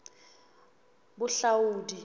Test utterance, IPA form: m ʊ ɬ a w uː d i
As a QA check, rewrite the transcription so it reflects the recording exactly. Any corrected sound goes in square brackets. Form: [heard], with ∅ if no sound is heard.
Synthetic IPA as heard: [b] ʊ ɬ a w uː d i